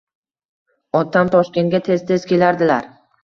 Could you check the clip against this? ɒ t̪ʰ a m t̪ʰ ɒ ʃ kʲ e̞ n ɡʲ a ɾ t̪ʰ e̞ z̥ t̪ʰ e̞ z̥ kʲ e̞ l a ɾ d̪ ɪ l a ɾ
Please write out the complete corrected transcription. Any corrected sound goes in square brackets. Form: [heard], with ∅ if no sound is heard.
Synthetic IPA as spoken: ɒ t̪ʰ a m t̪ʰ ɒ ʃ kʲ e̞ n ɡʲ a [∅] t̪ʰ e̞ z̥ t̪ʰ e̞ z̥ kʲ e̞ l a ɾ d̪ ɪ l a ɾ